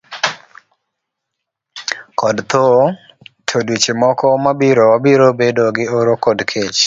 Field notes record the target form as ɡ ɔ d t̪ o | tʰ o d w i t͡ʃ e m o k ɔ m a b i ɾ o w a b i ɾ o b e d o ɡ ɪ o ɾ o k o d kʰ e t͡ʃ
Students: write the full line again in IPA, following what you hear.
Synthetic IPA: k ɔ d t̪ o | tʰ o d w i t͡ʃ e m ɔ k ɔ m a b i ɾ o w a b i ɾ o b e d o ɡ ɪ o ɾ o k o d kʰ e t͡ʃ